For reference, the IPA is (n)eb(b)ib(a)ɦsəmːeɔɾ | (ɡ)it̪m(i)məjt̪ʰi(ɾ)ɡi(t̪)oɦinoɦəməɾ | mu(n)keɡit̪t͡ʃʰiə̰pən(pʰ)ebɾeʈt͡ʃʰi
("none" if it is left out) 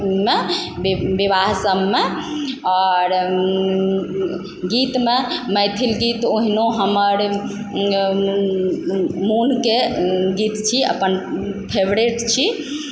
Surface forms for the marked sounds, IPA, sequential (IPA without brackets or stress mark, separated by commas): m, b, a, ɡ, e, l, t̪, n, pʰ